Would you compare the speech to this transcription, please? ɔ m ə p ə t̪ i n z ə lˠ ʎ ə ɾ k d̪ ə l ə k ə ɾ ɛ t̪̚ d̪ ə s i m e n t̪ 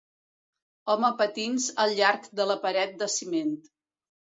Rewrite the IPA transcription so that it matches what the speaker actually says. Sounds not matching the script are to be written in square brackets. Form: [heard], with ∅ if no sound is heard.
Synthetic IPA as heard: ɔ m ə p ə t̪ i n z ə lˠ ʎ [a] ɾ k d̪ ə l ə [p] ə ɾ ɛ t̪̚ d̪ ə s i m e n t̪